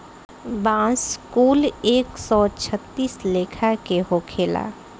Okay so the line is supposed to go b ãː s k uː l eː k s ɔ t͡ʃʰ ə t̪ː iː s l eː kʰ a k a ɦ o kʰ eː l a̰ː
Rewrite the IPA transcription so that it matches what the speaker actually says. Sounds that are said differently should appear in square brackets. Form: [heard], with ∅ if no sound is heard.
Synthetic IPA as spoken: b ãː s k uː l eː k s ɔ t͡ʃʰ ə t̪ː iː s l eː kʰ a k [e] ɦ o kʰ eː l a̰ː